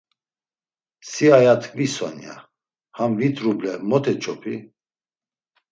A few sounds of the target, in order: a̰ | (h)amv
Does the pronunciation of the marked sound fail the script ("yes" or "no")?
no